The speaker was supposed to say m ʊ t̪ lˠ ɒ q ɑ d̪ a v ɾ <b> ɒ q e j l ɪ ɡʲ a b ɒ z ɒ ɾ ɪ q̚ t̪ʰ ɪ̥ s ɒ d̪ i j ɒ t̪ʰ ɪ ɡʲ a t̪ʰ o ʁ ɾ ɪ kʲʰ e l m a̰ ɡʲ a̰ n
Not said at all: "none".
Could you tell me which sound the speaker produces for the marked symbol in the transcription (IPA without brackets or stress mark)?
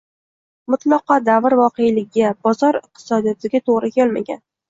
v